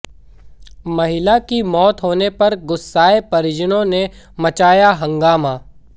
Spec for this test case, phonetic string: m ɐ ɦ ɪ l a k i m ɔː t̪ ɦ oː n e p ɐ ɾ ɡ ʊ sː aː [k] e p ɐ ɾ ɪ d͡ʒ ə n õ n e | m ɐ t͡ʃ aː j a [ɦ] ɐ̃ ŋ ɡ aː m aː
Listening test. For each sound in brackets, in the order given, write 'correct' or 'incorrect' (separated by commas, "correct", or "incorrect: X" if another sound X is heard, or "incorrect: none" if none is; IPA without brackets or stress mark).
incorrect: none, correct